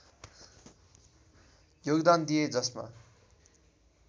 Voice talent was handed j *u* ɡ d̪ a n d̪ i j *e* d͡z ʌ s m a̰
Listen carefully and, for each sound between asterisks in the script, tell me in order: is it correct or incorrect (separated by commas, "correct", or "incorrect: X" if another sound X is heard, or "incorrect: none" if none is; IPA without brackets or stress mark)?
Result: incorrect: o, correct